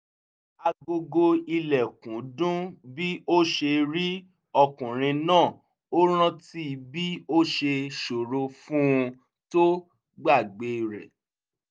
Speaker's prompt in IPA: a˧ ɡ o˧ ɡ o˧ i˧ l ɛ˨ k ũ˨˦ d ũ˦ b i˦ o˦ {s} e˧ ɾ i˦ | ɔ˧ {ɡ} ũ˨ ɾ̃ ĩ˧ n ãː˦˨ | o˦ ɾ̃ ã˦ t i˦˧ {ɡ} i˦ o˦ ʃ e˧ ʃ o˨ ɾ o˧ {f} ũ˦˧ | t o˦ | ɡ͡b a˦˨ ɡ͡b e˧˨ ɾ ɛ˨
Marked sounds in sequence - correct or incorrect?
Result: incorrect, incorrect, incorrect, correct

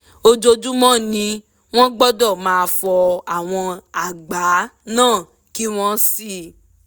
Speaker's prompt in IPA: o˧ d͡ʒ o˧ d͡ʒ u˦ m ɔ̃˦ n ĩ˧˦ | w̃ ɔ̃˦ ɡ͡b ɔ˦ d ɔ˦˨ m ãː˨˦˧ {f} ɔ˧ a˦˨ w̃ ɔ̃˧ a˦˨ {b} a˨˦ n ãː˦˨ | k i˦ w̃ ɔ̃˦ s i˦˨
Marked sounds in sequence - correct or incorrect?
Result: correct, incorrect

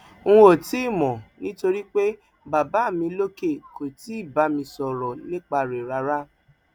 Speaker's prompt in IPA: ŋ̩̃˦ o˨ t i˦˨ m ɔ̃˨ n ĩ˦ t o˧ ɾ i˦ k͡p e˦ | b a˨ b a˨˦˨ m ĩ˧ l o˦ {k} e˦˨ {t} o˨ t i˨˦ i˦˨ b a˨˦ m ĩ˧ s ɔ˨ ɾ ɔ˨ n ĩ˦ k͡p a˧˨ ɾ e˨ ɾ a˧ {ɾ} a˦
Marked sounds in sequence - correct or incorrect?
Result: correct, incorrect, correct

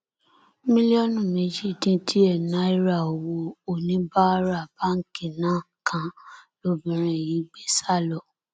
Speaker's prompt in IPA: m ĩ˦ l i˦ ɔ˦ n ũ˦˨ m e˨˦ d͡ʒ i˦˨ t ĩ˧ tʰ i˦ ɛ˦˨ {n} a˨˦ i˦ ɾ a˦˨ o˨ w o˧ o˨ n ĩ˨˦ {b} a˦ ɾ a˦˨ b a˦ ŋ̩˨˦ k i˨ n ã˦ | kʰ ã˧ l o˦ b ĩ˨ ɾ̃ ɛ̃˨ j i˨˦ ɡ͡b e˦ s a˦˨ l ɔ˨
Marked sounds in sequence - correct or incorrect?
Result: correct, correct

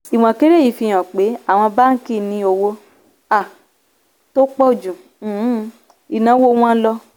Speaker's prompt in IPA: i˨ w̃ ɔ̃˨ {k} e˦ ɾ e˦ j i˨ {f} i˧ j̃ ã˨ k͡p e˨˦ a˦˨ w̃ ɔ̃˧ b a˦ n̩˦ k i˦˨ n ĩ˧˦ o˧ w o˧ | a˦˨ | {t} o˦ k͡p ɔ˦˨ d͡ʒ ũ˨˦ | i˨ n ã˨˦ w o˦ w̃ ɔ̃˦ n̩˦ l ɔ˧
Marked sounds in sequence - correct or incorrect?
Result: correct, correct, correct

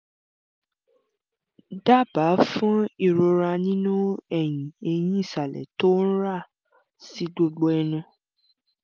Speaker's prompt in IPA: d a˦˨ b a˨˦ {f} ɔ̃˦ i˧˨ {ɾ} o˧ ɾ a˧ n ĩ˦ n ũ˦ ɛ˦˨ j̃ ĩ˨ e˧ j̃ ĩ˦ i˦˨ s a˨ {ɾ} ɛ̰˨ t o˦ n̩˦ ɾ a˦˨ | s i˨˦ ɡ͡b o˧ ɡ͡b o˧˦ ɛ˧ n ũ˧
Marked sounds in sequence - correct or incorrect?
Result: correct, correct, incorrect

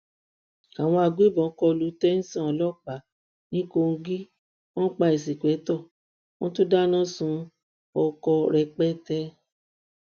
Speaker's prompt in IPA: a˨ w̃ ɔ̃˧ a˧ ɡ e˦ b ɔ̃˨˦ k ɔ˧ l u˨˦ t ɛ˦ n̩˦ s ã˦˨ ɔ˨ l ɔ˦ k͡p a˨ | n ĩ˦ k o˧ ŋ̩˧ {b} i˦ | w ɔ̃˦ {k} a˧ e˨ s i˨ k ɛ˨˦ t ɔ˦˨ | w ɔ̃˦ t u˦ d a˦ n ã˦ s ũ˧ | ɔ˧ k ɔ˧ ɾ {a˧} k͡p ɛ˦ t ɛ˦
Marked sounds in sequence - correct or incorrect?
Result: incorrect, incorrect, incorrect

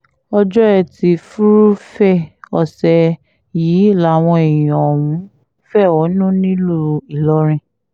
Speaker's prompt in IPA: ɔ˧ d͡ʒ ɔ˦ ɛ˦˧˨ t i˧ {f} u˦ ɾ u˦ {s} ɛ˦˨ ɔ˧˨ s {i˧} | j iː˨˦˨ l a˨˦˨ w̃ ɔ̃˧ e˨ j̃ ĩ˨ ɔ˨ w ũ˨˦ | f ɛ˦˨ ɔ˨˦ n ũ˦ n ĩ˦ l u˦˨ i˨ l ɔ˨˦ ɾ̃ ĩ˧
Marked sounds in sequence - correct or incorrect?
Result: correct, incorrect, incorrect

